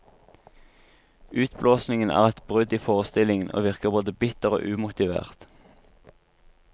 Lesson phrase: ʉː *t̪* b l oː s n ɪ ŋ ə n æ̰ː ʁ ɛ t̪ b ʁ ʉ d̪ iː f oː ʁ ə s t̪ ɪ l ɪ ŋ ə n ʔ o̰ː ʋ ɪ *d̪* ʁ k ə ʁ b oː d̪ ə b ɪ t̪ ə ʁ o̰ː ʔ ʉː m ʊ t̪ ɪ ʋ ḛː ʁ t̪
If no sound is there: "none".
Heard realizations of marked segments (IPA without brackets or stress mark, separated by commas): t̪, none